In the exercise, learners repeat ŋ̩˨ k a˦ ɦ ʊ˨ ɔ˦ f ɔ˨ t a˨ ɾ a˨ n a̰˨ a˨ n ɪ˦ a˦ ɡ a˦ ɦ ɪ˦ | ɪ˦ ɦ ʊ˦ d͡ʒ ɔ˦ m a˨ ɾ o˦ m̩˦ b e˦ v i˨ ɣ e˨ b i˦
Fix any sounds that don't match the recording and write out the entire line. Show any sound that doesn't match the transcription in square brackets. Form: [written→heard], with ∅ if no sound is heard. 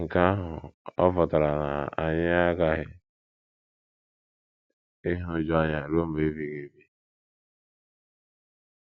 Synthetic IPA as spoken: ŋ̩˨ k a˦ ɦ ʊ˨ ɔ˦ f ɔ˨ t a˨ ɾ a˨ n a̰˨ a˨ [n→ɲ] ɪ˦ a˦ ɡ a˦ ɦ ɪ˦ | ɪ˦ ɦ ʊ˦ d͡ʒ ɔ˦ [m→ɲ] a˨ ɾ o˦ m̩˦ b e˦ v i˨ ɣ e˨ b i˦

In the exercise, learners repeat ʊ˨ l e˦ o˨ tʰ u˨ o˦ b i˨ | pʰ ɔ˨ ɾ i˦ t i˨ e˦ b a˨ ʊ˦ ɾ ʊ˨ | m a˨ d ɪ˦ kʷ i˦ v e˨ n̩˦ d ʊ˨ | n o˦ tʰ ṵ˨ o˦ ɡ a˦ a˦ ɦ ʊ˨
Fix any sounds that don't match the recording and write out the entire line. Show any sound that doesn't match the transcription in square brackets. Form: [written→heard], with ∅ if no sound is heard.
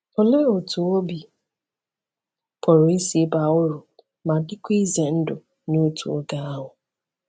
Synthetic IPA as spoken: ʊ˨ l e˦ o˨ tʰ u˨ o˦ b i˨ | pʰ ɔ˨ ɾ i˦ [t→s] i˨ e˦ b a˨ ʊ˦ ɾ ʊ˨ | m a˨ d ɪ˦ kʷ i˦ [v→z] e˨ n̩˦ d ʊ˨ | n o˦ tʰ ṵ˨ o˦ ɡ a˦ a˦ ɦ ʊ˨

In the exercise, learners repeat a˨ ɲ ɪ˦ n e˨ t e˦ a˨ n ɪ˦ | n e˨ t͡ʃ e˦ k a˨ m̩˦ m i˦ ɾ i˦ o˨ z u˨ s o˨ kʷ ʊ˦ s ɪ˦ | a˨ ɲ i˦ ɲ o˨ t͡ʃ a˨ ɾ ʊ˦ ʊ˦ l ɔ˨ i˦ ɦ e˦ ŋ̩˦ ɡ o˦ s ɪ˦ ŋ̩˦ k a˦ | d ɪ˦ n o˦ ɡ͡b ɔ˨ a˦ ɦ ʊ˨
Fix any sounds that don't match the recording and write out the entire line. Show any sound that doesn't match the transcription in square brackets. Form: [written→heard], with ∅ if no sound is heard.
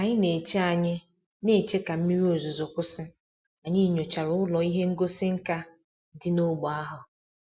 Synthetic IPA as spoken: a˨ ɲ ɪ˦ n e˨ [t→t͡ʃ] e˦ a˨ [n→ɲ] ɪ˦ | n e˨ t͡ʃ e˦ k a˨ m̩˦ m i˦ ɾ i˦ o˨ z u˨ [s→z] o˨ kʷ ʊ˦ s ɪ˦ | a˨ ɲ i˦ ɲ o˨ t͡ʃ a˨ ɾ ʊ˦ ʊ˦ l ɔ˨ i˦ ɦ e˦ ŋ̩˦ ɡ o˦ s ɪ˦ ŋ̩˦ k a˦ | d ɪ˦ n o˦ ɡ͡b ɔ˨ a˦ ɦ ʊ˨

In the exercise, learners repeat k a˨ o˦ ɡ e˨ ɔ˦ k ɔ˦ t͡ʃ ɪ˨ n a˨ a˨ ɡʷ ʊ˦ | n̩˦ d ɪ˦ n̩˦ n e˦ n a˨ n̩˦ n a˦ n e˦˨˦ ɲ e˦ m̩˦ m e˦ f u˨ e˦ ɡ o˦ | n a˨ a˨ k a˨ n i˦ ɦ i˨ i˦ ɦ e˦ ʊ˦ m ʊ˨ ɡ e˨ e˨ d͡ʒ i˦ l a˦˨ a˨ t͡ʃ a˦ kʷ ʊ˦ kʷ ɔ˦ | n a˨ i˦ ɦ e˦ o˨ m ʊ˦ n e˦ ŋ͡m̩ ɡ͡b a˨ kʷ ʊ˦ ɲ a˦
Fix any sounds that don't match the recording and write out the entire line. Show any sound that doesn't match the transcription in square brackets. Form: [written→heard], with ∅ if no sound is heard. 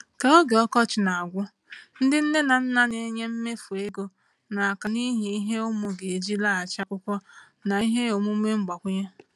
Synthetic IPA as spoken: k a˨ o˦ ɡ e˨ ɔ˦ k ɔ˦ t͡ʃ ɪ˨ n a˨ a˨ ɡʷ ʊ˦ | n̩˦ d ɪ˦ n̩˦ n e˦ n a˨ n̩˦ n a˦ n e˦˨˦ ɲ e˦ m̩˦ m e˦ f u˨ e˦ ɡ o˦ | n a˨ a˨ k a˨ n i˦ ɦ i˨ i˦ ɦ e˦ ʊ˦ m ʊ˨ ɡ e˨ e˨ d͡ʒ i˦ l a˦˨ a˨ t͡ʃ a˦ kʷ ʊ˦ kʷ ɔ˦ | n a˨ i˦ ɦ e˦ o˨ m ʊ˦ [n→m] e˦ ŋ͡m̩ ɡ͡b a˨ kʷ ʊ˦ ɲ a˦

